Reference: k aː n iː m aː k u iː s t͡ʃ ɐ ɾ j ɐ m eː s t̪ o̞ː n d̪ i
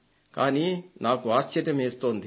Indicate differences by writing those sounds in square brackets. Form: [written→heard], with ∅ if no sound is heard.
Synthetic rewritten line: k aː n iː [m→n] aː k u [iː→aː] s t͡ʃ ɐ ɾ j ɐ m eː s t̪ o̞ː n d̪ i